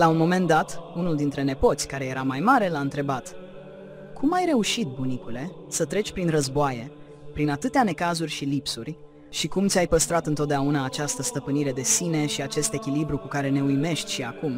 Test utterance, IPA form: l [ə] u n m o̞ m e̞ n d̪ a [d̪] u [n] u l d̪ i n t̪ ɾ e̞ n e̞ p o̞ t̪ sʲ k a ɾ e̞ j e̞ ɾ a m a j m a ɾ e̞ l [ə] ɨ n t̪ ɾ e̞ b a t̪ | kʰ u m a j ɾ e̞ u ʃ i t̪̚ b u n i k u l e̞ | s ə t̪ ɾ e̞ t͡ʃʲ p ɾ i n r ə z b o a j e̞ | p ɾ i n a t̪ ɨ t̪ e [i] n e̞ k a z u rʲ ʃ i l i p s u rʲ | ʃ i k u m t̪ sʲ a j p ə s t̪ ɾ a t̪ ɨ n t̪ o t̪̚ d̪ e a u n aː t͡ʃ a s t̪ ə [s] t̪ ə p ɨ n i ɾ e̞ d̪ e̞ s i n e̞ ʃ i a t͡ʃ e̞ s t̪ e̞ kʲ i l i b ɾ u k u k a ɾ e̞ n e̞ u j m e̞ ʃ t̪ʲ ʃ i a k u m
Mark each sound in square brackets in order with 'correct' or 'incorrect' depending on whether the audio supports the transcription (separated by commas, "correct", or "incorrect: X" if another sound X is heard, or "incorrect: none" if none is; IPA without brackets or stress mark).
incorrect: a, incorrect: t̪, correct, incorrect: a, incorrect: a, correct